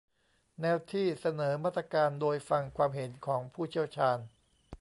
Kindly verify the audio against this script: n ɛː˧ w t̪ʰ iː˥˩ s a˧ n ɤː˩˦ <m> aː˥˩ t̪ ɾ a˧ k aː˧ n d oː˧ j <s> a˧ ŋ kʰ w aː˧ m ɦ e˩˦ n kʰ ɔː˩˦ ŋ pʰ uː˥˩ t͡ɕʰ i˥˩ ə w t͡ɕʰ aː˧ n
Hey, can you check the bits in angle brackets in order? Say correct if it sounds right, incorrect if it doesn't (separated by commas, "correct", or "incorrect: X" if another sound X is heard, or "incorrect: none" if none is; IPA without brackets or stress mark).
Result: correct, incorrect: f